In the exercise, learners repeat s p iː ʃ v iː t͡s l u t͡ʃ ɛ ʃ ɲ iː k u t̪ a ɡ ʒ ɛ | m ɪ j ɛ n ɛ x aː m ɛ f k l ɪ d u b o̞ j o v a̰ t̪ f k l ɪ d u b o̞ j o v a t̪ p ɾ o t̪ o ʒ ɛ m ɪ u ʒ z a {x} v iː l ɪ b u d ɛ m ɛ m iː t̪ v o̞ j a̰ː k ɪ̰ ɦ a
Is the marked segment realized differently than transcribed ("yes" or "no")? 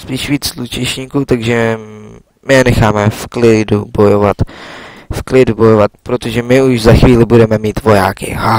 no